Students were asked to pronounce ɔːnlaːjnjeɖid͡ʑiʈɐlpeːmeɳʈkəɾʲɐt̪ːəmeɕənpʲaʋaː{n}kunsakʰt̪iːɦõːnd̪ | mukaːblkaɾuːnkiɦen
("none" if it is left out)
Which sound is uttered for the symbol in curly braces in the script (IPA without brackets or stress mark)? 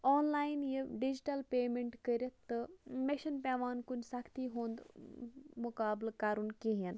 n